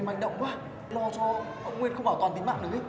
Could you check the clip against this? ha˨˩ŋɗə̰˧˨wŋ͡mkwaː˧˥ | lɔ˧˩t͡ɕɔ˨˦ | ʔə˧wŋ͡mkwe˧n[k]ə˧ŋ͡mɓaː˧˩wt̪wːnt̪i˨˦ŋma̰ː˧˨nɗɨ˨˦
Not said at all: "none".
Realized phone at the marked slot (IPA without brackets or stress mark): x